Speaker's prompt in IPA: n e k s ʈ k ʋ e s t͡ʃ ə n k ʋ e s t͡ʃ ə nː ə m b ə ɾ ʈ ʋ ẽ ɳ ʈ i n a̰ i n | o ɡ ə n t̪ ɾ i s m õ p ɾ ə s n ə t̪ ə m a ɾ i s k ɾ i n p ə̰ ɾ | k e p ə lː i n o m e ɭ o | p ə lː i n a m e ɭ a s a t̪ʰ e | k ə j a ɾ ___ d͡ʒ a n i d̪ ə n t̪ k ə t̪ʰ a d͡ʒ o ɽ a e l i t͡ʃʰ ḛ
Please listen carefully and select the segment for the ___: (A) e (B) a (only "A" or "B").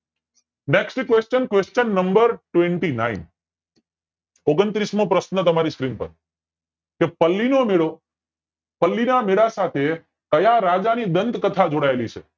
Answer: B